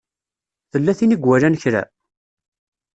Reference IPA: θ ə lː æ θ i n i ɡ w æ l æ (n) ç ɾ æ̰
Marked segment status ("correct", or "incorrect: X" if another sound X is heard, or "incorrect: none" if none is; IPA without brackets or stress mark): correct